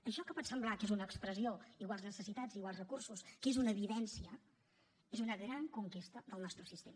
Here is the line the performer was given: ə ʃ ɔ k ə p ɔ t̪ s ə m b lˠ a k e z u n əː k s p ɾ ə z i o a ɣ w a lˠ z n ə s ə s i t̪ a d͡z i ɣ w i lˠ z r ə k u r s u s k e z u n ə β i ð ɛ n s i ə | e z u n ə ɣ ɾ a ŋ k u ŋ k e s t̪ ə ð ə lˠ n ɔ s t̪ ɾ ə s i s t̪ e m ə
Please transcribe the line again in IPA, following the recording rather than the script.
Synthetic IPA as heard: ə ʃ ɔ k ə p ɔ t̪ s ə m b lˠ a k e z u n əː k s p ɾ ə z i o i ɣ w a lˠ z n ə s ə s i t̪ a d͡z i ɣ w a lˠ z r ə k u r s u s k e z u n ə β i ð ɛ n s i ə | e z u n ə ɣ ɾ a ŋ k u ŋ k e s t̪ ə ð ə lˠ n ɔ s t̪ ɾ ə s i s t̪ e m ə